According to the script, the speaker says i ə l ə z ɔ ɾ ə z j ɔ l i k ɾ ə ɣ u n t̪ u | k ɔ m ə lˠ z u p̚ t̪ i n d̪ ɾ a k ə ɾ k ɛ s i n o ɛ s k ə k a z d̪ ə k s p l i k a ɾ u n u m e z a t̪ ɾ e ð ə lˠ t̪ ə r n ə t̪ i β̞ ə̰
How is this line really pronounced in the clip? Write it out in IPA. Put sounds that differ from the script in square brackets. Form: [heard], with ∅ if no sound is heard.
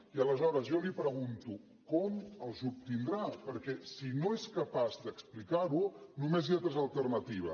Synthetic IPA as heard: i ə l ə z ɔ ɾ ə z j ɔ l i [p] ɾ ə ɣ u n t̪ u | k ɔ m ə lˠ z u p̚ t̪ i n d̪ ɾ a [p] ə ɾ k ɛ s i n o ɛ s k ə [p] a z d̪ ə k s p l i k a ɾ u n u m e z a t̪ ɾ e [z] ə lˠ t̪ ə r n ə t̪ i β̞ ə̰